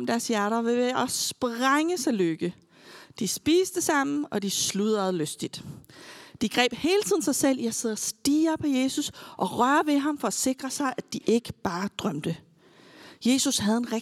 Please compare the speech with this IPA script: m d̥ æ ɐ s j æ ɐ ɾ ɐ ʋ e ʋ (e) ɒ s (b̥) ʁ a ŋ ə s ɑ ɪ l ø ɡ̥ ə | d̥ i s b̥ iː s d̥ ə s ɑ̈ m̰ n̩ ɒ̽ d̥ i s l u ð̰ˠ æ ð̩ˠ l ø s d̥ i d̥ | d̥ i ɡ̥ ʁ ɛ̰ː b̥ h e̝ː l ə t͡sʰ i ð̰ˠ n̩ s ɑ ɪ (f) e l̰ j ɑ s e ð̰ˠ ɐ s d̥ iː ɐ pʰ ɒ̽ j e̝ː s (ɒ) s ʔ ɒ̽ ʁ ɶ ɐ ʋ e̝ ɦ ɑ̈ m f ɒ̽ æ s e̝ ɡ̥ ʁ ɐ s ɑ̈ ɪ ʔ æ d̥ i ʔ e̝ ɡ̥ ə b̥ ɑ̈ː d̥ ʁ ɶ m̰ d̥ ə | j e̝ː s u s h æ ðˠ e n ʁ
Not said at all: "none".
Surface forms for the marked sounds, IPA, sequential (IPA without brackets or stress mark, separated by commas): e, b̥, s, u